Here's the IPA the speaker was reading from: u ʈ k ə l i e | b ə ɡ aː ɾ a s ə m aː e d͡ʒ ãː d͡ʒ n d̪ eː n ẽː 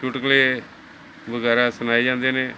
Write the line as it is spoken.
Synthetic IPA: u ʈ k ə l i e | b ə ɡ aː ɾ a s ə n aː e d͡ʒ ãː n d̪ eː n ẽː